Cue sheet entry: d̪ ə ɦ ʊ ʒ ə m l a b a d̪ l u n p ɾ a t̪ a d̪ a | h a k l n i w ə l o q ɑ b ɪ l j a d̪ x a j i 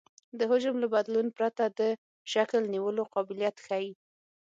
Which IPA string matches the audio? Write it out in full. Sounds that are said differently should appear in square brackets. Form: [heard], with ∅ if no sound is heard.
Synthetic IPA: d̪ ə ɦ ʊ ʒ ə m l a b a d̪ l u n p ɾ a t̪ a d̪ [ə] | [ʃ] a k l n i w ə l o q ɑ b ɪ l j a [t̪] x a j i